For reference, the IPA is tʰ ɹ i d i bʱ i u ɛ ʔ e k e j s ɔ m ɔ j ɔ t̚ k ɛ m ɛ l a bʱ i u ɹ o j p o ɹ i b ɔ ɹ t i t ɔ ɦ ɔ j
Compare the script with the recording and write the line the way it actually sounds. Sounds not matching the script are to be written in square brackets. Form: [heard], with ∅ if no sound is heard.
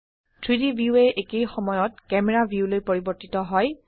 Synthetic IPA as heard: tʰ ɹ i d i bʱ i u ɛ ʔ e k e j [x] ɔ m ɔ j ɔ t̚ k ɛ m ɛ [ɹ] a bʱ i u [l] o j p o ɹ i b ɔ ɹ t i t ɔ ɦ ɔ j